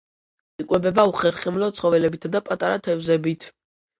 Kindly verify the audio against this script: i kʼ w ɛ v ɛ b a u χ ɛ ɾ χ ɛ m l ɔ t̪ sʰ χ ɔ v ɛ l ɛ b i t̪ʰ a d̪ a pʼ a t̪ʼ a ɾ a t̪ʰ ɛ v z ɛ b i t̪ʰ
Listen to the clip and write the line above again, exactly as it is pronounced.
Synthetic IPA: i kʼ w ɛ b ɛ b a u χ ɛ ɾ χ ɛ m l ɔ t̪ sʰ χ ɔ v ɛ l ɛ b i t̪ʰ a d̪ a pʼ a t̪ʼ a ɾ a t̪ʰ ɛ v z ɛ b i t̪ʰ